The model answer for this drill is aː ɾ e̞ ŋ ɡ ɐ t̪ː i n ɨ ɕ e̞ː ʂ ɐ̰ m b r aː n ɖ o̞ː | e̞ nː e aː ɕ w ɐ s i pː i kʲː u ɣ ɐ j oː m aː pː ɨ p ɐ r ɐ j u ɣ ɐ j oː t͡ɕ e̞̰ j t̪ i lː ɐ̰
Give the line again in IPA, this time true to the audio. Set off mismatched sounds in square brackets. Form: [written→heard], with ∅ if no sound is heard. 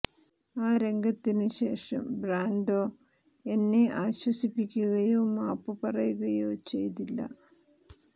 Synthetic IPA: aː ɾ e̞ ŋ ɡ ɐ t̪ː i n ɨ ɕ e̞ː ʂ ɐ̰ m b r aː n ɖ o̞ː | e̞ nː e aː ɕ w ɐ s i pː i kʲː u ɣ ɐ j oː m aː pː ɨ p ɐ r ɐ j u ɣ ɐ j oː t͡ɕ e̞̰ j t̪ i lː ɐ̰